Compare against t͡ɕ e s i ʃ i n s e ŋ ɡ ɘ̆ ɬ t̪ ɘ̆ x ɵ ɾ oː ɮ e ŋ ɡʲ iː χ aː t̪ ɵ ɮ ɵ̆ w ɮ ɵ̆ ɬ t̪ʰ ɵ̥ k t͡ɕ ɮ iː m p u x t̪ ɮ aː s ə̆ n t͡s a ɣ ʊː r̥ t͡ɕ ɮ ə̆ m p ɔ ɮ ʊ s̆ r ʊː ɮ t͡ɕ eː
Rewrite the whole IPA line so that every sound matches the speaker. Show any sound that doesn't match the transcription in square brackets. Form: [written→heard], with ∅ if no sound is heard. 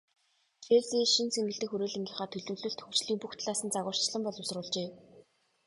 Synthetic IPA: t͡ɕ e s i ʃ i n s e ŋ ɡ ɘ̆ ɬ t̪ ɘ̆ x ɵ ɾ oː ɮ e ŋ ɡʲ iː χ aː [t̪→t̪ʰ] ɵ ɮ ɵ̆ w ɮ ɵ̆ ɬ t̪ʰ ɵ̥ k t͡ɕ ɮ iː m p u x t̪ ɮ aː s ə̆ n t͡s a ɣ ʊː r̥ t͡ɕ ɮ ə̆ m p ɔ ɮ ʊ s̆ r ʊː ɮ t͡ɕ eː

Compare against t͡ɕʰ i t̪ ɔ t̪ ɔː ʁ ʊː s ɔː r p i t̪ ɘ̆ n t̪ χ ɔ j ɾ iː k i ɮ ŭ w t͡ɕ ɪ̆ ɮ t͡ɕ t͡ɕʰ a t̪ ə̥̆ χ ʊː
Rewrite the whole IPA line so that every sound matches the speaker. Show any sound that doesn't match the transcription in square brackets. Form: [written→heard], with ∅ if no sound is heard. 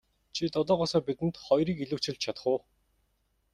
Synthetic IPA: t͡ɕʰ i t̪ ɔ t̪ ɔː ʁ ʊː s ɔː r p i t̪ ɘ̆ n t̪ χ ɔ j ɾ iː k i ɮ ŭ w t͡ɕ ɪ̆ ɮ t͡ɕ t͡ɕʰ a t̪ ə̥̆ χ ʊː

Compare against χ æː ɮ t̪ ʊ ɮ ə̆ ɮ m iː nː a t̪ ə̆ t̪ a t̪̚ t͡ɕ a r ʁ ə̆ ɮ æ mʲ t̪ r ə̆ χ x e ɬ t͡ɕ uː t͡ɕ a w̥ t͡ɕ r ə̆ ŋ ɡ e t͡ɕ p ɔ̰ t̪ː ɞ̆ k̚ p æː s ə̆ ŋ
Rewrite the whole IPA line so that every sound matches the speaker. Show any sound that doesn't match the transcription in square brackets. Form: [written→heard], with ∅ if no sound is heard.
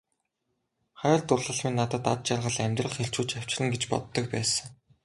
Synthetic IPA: χ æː ɮ t̪ ʊ ɮ ə̆ ɮ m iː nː a t̪ ə̆ t̪ a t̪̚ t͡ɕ a r ʁ ə̆ ɮ æ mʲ t̪ r ə̆ χ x e ɬ t͡ɕ uː t͡ɕ a w̥ t͡ɕ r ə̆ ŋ ɡ e t͡ɕ p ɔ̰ t̪ː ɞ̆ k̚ p æː s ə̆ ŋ

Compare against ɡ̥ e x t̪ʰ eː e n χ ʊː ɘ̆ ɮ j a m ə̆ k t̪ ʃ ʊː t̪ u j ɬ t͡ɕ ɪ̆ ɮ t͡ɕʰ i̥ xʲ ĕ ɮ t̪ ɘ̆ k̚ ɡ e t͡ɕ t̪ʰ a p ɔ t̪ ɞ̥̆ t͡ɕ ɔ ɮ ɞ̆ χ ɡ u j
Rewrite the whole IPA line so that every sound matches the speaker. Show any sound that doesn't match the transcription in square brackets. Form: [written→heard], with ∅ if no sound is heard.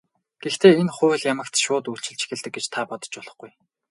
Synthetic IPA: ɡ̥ e x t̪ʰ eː e n χ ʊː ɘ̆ ɮ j a m ə̆ k t̪ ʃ ʊː t̪ u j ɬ t͡ɕ ɪ̆ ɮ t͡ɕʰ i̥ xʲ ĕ ɮ t̪ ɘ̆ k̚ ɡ e t͡ɕ t̪ʰ a p ɔ t̪ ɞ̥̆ t͡ɕ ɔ ɮ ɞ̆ χ ɡ u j

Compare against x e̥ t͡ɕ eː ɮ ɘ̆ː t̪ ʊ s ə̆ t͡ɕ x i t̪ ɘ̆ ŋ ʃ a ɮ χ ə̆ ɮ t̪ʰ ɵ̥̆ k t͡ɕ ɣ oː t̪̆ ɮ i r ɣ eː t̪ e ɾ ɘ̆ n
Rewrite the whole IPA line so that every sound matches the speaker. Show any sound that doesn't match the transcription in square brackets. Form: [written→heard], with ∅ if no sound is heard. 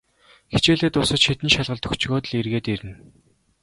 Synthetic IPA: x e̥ t͡ɕ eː ɮ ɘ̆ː t̪ ʊ s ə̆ t͡ɕ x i t̪ ɘ̆ [ŋ→n] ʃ a ɮ [χ→ʁ] ə̆ ɮ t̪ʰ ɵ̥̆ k t͡ɕ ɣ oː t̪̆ ɮ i r ɣ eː t̪ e ɾ ɘ̆ n

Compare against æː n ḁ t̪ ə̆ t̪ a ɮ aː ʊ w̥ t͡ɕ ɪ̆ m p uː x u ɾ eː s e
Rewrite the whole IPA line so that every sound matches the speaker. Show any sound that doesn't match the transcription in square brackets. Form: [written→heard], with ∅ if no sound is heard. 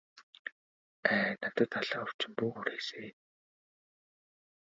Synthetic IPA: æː n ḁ t̪ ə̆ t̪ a ɮ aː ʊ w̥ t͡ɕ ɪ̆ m p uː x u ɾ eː s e

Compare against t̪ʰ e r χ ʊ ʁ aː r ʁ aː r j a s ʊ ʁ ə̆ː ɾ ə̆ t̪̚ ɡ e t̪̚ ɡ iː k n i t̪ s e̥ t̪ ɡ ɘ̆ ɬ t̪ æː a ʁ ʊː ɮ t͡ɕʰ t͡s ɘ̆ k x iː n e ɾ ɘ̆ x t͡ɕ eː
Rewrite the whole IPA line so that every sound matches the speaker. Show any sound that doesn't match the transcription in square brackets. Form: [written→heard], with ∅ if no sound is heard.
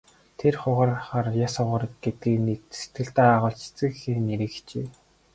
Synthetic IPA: t̪ʰ e r χ ʊ ʁ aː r [ʁ→χ] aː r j a s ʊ ʁ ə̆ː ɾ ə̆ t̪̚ ɡ e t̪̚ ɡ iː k n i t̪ s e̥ t̪ ɡ ɘ̆ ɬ t̪ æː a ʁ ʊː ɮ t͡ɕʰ t͡s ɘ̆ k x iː n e ɾ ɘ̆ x t͡ɕ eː

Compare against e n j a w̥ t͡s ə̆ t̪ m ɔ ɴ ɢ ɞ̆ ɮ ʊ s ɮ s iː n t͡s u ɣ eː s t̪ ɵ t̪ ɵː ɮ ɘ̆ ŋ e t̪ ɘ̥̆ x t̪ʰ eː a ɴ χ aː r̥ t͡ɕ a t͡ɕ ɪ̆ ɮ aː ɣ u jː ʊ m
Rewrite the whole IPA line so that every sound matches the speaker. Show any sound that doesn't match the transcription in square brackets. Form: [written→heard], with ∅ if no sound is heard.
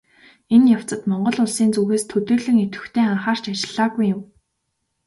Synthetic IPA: e n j a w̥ t͡s ə̆ t̪ m ɔ ɴ ɢ ɞ̆ ɮ ʊ [s→∅] ɮ s iː n t͡s u ɣ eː s [t̪→t̪ʰ] ɵ t̪ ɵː ɮ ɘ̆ ŋ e t̪ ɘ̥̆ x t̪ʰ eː a ɴ χ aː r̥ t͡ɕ a t͡ɕ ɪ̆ ɮ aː ɣ u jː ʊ m

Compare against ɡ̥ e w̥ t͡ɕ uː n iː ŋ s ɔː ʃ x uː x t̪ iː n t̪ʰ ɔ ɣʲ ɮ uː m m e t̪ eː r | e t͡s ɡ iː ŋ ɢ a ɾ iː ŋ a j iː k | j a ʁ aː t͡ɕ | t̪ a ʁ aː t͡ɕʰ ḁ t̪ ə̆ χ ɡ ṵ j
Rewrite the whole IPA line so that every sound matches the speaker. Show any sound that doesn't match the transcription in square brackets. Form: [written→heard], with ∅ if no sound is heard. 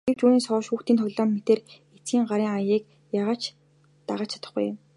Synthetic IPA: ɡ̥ e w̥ t͡ɕ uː n iː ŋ s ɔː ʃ x uː x t̪ iː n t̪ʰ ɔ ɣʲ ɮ [uː→ɔː] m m e t̪ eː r | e t͡s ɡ iː ŋ ɢ a ɾ iː ŋ a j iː k | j a ʁ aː t͡ɕ | t̪ a ʁ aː t͡ɕʰ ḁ t̪ ə̆ χ ɡ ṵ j

